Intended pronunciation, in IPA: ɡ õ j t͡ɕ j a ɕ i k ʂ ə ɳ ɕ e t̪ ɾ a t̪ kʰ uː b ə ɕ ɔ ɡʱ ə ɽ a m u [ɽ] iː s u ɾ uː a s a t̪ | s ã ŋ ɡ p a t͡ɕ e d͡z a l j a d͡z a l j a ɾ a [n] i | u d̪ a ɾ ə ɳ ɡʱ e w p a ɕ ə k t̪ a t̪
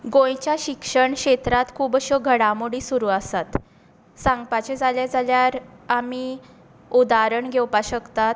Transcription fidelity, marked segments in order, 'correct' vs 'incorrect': correct, incorrect

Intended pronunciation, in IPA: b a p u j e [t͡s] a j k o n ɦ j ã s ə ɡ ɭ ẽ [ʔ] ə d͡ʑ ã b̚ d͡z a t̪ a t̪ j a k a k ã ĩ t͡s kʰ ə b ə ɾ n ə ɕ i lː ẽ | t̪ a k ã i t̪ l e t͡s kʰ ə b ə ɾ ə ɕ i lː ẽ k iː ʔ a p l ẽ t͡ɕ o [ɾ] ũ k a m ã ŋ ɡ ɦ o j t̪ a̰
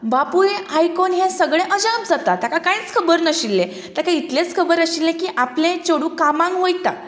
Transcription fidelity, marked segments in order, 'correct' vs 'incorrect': incorrect, correct, incorrect

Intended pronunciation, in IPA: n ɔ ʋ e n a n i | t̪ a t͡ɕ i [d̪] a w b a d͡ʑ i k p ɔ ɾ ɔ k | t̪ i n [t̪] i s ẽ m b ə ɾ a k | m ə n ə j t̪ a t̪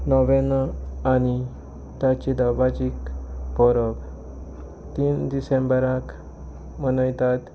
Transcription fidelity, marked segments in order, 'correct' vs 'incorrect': correct, incorrect

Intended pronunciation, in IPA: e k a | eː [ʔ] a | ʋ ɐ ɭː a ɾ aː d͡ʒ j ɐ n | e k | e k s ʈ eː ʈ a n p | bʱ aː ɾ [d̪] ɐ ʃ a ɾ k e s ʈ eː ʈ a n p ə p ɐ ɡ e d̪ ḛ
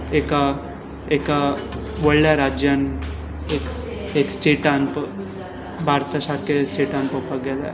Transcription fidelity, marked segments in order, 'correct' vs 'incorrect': incorrect, incorrect

